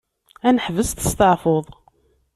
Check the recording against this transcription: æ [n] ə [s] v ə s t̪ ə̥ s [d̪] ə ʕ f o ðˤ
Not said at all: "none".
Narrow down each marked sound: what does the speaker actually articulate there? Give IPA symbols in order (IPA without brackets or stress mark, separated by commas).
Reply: n, ħ, t̪